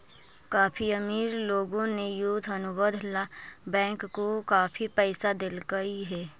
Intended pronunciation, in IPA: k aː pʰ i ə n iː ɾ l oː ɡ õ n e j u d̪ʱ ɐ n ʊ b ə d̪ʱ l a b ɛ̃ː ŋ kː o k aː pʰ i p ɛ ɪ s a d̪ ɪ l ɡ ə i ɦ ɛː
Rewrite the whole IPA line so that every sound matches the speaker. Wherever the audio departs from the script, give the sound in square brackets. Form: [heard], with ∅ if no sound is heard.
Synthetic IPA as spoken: k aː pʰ i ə [m] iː ɾ l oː ɡ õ n e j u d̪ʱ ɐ n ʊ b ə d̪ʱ l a b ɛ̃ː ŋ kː o k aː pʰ i p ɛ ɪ s a d̪ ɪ l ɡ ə i ɦ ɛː